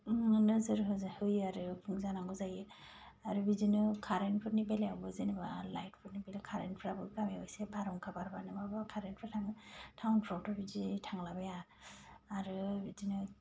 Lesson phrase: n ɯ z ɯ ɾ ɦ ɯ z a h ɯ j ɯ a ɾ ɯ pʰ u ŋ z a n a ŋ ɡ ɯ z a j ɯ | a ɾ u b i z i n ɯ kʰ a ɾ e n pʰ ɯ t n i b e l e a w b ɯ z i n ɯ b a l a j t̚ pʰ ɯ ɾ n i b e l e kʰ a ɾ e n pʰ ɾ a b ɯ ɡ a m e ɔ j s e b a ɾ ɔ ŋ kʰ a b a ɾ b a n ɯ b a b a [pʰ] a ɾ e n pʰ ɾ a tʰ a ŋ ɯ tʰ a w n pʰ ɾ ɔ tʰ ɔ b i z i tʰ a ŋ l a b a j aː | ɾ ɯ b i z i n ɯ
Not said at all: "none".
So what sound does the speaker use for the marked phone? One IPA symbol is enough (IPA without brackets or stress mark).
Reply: kʰ